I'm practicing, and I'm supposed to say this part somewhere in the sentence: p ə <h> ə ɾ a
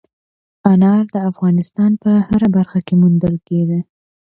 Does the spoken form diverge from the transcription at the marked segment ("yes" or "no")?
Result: no